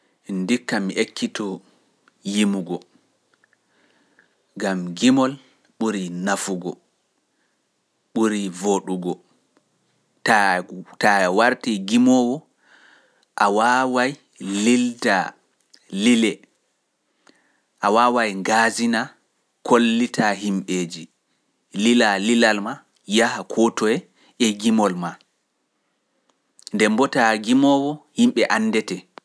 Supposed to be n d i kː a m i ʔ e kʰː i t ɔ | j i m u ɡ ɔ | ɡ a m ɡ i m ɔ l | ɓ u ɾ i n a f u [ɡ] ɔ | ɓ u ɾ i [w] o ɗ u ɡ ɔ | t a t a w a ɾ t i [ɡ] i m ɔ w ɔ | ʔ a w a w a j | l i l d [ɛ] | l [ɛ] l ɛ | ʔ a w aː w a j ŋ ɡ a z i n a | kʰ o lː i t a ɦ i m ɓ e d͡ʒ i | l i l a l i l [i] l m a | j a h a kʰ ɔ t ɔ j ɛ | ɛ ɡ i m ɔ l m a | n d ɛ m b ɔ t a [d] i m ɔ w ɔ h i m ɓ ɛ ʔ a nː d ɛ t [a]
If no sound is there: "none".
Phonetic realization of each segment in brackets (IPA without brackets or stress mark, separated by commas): ɡ, v, ɡ, a, i, a, ɡ, ɛ